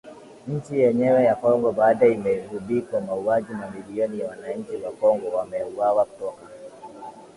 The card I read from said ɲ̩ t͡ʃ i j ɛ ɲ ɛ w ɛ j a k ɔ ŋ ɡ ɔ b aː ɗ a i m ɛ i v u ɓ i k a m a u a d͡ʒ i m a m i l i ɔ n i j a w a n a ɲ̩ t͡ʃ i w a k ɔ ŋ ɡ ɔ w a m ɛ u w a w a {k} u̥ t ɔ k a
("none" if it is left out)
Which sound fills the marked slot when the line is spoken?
k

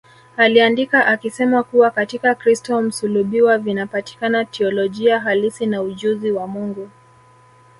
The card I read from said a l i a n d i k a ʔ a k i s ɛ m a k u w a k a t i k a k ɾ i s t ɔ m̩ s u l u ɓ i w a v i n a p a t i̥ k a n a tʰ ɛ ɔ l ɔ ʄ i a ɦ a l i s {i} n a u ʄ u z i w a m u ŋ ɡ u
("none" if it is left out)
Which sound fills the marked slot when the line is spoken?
i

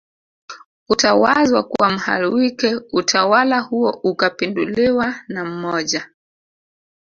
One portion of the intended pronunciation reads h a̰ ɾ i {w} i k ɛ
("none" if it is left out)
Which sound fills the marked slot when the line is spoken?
w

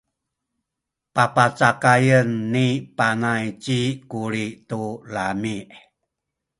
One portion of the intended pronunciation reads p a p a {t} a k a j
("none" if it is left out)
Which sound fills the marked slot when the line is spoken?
t͡s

